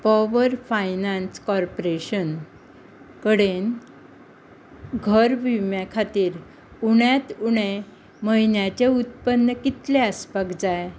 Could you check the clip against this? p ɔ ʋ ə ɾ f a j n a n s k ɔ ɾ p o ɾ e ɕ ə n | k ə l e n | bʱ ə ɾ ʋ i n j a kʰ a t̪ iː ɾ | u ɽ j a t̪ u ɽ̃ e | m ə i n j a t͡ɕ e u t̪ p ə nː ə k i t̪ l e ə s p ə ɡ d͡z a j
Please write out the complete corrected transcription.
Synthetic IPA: p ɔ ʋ ə ɾ f a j n a n s k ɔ ɾ p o ɾ e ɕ ə n | k ə ɽ e n | ɡʱ ə ɾ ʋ i m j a kʰ a t̪ iː ɾ | u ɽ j a t̪ u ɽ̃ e | m ə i n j a t͡ɕ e u t̪ p ə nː ə k i t̪ l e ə s p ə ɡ d͡z a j